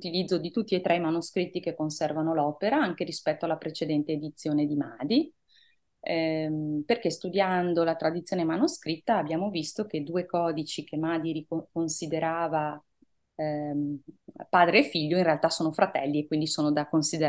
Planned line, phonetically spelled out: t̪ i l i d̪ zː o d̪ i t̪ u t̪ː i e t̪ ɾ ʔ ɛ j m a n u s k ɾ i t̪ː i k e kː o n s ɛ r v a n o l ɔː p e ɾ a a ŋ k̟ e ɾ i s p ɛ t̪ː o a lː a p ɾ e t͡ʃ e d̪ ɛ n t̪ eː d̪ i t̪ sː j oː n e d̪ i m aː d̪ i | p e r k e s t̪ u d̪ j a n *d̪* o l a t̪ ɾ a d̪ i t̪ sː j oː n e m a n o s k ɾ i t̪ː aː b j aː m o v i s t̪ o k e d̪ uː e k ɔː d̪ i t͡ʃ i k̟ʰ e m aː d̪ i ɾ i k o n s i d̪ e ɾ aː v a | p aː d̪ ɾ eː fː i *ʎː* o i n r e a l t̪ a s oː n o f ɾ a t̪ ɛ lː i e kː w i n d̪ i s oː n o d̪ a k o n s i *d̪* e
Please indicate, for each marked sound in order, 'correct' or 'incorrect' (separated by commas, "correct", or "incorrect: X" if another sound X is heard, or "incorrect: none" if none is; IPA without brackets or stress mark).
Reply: correct, correct, correct